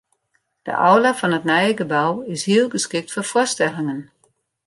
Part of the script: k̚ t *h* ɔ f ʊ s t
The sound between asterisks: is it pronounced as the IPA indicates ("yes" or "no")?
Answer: no